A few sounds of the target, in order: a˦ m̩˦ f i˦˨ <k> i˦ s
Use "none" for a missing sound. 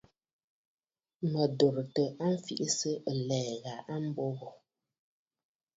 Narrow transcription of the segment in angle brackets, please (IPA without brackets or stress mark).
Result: ʔ